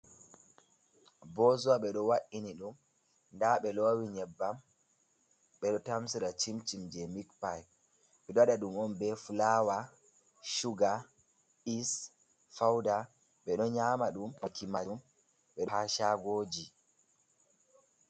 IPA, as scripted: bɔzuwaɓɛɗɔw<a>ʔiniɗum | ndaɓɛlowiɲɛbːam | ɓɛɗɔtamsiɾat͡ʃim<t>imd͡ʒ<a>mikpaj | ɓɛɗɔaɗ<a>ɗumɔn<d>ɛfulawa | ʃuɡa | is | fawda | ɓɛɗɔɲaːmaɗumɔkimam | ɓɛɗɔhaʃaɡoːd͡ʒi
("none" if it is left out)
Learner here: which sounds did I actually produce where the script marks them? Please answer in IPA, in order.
a, t͡ʃ, ɛ, a, b

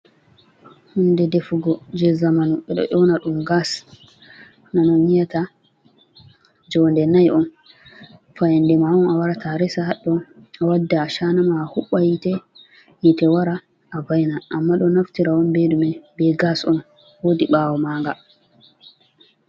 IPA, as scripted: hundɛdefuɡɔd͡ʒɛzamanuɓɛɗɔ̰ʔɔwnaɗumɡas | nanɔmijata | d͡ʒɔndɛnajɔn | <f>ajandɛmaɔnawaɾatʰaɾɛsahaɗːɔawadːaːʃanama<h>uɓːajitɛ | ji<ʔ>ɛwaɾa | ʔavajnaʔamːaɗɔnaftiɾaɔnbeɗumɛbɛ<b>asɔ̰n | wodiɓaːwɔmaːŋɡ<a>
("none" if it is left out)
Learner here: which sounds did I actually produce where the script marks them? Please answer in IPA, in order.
f, h, t, ɡ, a

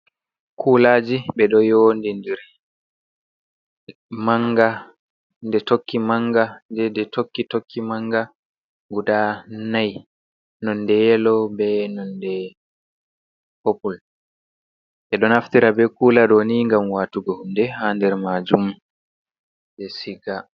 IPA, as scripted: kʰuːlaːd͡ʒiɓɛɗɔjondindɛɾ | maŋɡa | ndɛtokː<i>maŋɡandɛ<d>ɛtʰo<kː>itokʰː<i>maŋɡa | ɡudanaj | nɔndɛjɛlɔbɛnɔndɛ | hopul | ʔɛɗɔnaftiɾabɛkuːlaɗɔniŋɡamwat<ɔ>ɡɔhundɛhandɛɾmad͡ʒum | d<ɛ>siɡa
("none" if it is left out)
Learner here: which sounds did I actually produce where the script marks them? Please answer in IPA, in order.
i, d, kː, i, u, ɛ

